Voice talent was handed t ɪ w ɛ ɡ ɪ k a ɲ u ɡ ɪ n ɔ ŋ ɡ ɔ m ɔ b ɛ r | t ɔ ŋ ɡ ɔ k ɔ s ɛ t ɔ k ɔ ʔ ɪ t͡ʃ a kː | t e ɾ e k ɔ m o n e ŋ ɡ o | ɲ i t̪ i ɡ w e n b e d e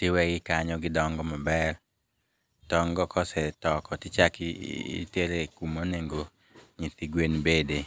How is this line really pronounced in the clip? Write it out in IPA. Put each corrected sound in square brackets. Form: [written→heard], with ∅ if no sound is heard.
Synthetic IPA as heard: t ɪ w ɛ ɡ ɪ k a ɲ [u→ɔ] ɡ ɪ [n→d] ɔ ŋ ɡ ɔ m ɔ b ɛ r | t ɔ ŋ ɡ ɔ k ɔ s ɛ t ɔ k ɔ [ʔ→t] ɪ t͡ʃ a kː | t e ɾ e k [ɔ→u] m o n e ŋ ɡ o | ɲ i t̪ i ɡ w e n b e d e